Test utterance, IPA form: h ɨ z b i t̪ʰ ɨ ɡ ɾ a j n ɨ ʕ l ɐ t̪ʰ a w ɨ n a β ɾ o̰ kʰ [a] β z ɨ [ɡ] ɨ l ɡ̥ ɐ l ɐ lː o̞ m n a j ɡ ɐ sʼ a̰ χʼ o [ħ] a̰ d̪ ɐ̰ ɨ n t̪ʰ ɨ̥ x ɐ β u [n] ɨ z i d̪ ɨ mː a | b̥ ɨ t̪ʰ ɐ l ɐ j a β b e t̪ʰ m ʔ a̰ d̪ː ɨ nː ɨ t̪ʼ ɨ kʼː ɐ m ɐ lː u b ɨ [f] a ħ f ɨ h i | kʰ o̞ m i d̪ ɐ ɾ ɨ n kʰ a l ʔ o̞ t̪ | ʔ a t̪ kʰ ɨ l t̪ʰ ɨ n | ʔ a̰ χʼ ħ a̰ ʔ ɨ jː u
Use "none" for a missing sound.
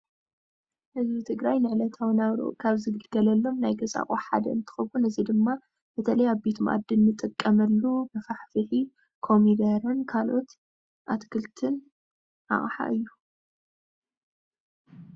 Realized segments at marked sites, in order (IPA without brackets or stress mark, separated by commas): a, ɡ, ħ, n, f